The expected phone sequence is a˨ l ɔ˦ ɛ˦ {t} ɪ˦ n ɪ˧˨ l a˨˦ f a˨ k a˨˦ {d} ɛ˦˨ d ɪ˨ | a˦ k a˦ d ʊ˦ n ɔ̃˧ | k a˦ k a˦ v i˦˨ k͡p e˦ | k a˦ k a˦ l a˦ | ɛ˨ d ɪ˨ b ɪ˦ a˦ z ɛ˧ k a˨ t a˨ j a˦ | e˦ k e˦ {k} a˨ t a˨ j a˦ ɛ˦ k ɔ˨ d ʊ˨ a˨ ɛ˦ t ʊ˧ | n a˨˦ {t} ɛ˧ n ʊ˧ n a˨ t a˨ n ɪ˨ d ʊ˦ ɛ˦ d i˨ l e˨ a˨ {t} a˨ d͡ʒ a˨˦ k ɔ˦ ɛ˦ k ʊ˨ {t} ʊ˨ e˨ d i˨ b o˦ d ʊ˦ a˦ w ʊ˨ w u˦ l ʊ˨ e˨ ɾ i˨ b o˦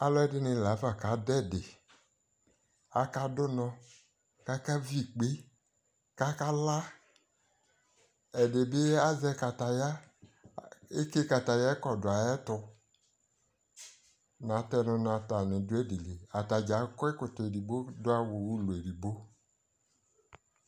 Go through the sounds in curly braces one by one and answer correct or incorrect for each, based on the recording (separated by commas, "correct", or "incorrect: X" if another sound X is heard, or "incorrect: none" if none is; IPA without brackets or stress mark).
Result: incorrect: d, correct, correct, correct, correct, correct